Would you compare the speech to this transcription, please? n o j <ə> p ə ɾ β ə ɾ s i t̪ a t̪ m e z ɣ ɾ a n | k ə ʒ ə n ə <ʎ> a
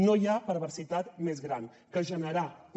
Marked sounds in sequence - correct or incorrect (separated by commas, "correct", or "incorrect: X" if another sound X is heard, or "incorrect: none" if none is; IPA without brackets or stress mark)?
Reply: incorrect: a, incorrect: ɾ